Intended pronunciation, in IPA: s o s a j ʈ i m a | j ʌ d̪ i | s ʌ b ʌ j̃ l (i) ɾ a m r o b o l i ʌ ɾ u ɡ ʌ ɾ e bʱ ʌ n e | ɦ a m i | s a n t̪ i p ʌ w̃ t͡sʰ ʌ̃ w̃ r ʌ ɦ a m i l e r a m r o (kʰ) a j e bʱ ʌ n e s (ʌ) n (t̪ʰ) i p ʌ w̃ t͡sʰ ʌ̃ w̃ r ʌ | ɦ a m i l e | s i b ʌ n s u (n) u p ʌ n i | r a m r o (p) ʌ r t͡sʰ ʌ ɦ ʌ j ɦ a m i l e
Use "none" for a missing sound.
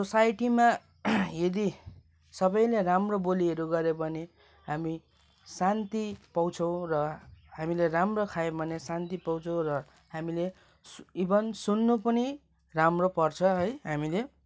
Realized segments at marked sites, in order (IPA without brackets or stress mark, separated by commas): e, kʰ, a, t̪, nː, p